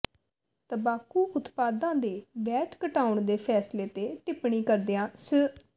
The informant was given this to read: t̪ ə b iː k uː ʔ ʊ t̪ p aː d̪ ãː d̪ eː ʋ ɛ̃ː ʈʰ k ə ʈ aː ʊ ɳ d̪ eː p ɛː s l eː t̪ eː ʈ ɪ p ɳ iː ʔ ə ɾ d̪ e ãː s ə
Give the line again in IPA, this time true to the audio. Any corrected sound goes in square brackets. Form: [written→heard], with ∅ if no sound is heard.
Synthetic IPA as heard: t̪ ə b [iː→aː] k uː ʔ ʊ t̪ p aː d̪ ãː d̪ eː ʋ [ɛ̃ː→ɛː] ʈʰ k ə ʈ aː ʊ ɳ d̪ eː [p→pʰ] ɛː s l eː t̪ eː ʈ ɪ p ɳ iː [ʔ→k] ə ɾ d̪ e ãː s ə